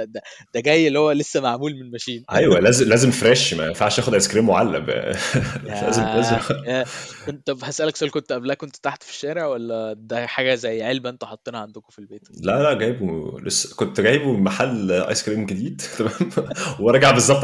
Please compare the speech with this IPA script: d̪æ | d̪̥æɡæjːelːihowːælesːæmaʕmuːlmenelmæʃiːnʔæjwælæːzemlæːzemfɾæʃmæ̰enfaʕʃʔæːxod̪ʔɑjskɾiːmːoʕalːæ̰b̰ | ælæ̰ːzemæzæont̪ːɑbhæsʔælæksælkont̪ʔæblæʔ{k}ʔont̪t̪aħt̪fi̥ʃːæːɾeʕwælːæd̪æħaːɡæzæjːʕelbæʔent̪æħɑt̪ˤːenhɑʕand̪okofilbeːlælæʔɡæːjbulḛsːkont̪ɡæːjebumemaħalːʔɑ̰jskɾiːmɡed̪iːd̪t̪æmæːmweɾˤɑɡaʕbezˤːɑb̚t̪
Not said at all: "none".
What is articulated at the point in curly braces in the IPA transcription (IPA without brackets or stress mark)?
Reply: k